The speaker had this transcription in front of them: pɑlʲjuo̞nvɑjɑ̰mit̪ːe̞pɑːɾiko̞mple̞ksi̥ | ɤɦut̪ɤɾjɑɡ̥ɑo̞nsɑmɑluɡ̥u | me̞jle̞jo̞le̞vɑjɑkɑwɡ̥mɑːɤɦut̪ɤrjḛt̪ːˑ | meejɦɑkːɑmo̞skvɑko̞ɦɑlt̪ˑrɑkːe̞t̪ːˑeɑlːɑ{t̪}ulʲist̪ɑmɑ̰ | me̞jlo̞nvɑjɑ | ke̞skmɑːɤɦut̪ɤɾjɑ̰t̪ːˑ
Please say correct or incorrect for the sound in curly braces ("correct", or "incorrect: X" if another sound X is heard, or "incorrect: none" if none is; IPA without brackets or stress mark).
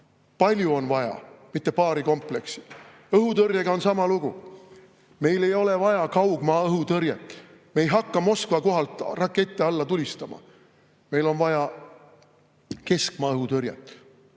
correct